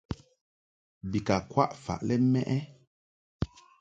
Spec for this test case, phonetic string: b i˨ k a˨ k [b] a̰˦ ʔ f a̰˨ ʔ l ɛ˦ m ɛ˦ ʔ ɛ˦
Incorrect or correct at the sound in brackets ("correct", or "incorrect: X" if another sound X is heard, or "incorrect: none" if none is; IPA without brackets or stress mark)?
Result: incorrect: w